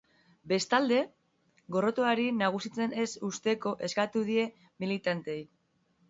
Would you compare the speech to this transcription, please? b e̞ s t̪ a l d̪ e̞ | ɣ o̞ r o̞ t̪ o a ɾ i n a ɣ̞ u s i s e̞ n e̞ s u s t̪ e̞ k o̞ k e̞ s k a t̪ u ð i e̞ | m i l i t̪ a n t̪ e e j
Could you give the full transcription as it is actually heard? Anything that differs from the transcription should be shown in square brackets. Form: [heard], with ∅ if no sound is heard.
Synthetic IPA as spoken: b e̞ s t̪ a l d̪ e̞ | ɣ o̞ r o̞ t̪ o a ɾ i n a ɣ̞ u s i [t͡s] e̞ n e̞ s u s t̪ e̞ k o̞ [ʔ] e̞ s k a t̪ u ð i e̞ | m i l i t̪ a n t̪ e e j